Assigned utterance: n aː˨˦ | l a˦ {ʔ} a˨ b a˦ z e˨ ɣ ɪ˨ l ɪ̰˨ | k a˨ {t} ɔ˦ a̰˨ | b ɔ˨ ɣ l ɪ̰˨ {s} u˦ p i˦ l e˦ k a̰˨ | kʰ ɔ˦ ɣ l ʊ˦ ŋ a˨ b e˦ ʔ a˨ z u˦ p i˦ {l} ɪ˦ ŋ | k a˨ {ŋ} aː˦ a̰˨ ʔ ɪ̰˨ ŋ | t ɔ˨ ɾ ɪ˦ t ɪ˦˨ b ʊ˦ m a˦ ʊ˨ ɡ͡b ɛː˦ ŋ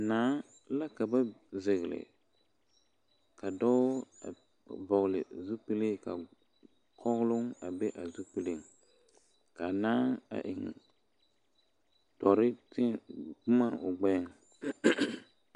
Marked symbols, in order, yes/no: no, no, no, yes, no

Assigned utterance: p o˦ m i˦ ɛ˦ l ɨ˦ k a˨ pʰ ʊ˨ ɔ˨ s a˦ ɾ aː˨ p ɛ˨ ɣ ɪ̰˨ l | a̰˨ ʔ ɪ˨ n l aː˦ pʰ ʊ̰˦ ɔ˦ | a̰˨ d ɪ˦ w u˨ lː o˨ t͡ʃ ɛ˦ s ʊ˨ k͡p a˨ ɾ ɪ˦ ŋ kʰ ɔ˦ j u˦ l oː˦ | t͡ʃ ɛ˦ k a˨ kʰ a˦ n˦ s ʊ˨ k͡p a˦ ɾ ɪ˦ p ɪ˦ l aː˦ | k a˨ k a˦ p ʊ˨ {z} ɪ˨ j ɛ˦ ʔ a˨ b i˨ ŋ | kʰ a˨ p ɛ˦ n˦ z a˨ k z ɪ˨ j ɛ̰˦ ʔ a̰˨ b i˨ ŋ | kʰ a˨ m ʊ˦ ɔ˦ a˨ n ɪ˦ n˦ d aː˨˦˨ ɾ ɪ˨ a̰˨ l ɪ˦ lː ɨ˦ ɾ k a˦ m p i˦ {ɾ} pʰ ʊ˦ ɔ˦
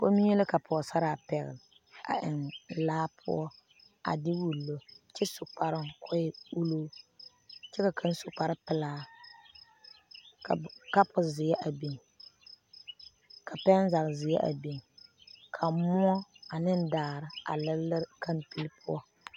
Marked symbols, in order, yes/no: yes, no

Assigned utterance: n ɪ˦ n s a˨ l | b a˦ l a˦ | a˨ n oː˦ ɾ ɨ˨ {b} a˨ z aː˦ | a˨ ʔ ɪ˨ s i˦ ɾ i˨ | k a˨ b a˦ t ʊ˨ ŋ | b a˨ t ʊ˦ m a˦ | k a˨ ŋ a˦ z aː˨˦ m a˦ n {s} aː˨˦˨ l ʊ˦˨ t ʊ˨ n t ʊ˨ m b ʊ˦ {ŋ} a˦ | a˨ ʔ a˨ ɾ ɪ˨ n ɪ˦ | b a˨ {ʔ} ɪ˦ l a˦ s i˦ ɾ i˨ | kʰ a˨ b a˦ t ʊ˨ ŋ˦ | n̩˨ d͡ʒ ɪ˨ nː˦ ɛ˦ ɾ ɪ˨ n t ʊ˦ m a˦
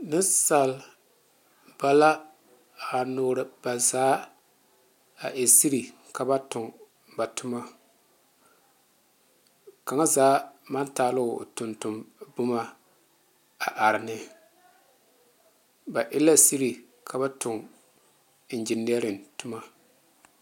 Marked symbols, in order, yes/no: yes, no, no, yes

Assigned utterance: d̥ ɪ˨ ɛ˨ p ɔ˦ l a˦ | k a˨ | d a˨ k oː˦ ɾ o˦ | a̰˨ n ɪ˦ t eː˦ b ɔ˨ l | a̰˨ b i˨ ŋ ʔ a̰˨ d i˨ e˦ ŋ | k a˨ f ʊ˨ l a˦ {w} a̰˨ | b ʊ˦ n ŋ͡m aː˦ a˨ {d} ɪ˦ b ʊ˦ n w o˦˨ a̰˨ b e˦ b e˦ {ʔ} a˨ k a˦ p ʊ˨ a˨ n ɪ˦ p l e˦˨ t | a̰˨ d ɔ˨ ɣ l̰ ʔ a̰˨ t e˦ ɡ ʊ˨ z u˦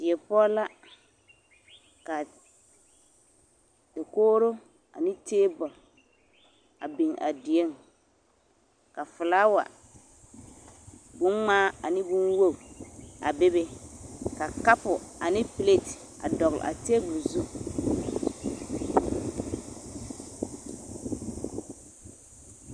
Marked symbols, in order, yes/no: yes, no, no

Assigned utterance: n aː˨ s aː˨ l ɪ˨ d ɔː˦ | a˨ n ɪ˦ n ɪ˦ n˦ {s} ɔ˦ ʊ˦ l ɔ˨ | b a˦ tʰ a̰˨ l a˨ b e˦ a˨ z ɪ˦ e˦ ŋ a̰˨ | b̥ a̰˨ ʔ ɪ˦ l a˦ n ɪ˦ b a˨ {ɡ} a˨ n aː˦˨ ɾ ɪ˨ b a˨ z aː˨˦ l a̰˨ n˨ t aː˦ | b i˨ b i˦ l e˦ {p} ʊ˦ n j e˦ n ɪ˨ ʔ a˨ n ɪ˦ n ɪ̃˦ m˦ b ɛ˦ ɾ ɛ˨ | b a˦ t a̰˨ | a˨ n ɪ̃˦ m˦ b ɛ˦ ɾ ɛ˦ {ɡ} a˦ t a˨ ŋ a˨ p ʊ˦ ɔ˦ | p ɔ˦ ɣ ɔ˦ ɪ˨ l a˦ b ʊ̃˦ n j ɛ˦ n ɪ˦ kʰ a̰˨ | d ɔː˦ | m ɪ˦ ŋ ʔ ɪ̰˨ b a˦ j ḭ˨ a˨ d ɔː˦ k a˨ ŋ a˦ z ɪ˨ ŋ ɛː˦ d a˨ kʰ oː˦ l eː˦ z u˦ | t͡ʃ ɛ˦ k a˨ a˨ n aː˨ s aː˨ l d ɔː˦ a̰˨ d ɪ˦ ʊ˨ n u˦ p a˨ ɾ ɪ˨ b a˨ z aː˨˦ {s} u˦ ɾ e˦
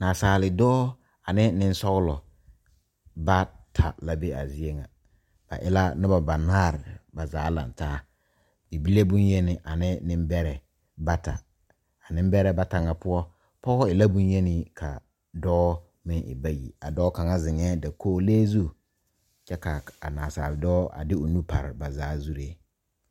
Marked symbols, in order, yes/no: yes, no, no, no, no

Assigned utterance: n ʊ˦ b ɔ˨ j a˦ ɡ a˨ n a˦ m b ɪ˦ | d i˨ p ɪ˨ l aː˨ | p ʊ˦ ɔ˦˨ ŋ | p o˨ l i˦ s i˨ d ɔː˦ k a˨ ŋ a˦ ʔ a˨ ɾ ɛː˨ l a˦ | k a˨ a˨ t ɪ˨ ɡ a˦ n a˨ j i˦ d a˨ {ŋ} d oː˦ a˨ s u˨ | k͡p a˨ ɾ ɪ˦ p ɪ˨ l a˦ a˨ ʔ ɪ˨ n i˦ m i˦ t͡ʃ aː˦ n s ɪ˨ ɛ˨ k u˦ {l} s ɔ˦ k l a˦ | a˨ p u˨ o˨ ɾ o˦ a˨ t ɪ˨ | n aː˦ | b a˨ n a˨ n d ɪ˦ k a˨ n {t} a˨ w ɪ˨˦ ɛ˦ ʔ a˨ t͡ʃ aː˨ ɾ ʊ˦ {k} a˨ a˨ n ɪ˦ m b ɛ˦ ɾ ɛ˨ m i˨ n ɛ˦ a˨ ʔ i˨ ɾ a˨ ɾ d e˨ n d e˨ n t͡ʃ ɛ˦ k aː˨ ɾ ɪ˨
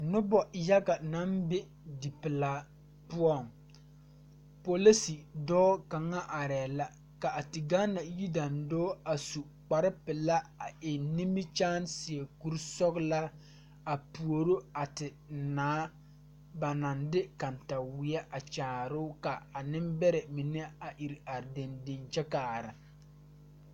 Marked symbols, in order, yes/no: no, no, yes, yes

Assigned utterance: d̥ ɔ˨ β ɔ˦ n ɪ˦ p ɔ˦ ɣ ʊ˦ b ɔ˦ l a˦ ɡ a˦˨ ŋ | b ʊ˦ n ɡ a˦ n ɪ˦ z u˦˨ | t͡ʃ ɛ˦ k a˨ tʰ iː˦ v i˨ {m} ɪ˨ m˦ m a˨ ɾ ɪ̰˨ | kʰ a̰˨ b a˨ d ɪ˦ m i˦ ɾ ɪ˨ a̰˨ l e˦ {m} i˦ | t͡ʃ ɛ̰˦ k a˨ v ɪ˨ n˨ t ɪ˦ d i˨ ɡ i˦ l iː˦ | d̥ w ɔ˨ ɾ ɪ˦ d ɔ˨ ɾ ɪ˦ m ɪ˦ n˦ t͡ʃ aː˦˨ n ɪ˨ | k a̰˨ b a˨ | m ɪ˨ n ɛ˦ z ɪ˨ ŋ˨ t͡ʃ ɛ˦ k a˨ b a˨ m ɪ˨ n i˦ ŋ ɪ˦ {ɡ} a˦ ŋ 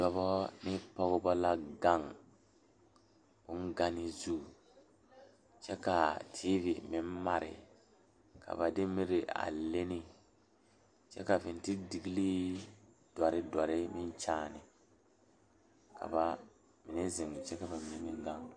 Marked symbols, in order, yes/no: yes, no, yes

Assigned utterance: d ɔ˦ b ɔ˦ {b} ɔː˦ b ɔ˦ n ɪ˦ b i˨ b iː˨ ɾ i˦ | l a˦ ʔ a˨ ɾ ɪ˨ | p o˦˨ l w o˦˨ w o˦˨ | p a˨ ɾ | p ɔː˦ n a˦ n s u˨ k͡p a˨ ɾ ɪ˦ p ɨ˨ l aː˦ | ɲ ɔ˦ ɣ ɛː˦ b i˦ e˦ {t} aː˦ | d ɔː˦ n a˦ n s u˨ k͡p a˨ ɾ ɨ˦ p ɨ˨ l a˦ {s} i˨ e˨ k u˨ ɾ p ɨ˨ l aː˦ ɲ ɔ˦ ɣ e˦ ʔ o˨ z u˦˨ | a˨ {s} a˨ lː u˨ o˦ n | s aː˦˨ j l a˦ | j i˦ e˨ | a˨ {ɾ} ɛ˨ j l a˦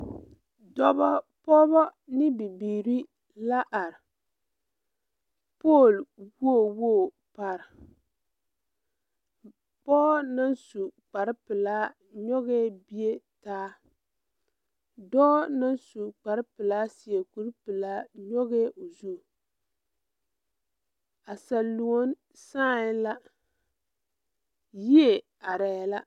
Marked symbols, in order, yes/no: no, yes, yes, yes, yes

